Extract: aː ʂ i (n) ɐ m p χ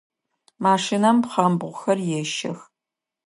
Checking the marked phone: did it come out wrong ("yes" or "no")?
no